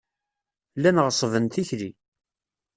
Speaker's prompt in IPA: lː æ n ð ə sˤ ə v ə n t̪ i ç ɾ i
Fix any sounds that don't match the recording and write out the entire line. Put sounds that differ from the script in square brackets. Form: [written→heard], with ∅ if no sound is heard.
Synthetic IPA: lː æ n [ð→ʁ] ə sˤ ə v ə n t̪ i ç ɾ i

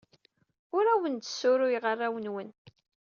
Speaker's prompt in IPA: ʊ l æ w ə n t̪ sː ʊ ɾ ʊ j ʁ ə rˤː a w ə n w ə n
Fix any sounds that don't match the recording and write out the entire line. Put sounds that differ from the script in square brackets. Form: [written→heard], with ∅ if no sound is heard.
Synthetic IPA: ʊ [l→ɾ] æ w ə n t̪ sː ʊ ɾ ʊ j ʁ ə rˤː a w ə n w ə n

